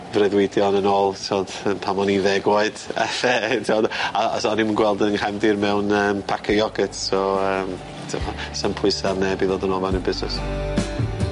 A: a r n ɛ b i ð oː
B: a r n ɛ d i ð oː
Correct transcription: A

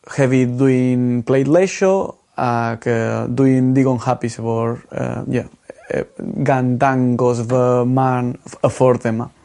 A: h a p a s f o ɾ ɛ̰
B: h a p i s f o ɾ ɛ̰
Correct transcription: B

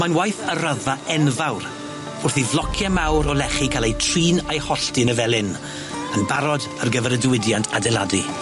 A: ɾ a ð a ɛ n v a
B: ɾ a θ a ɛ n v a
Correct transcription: A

